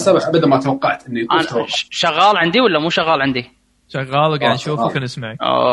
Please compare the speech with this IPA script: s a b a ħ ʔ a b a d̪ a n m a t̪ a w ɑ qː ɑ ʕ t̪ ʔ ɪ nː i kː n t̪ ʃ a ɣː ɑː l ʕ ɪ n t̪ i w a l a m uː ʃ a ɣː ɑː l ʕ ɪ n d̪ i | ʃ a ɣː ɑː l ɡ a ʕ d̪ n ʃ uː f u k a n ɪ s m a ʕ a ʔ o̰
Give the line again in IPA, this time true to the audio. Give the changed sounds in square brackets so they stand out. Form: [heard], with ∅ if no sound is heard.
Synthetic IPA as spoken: s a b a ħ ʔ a b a d̪ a n m a t̪ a w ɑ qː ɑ ʕ t̪ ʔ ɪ nː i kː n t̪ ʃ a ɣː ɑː l ʕ ɪ n [d̪] i w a [lː] a m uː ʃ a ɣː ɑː l ʕ ɪ n d̪ i | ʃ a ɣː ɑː l ɡ a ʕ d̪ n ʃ uː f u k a n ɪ s m a ʕ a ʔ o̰